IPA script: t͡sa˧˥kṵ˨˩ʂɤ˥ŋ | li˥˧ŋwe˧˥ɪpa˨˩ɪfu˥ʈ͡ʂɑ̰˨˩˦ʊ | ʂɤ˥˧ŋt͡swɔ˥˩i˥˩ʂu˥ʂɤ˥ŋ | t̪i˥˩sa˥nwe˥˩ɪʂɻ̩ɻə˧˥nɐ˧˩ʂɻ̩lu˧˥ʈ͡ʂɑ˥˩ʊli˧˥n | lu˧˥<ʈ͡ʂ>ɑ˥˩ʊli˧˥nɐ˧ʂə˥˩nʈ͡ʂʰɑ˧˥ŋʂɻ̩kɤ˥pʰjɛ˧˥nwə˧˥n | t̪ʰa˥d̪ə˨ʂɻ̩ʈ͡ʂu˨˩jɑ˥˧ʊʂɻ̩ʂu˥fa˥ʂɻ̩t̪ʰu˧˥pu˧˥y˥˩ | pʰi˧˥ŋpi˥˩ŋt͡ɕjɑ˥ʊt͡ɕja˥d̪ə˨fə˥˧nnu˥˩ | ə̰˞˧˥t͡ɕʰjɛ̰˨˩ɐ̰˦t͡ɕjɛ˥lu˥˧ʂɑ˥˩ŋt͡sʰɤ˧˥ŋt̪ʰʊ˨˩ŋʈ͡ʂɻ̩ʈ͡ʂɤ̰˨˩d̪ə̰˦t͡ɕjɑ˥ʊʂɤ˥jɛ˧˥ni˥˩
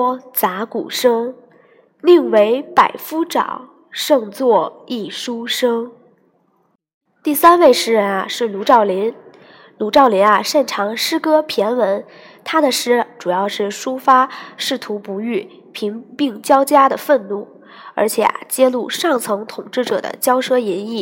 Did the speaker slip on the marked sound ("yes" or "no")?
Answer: no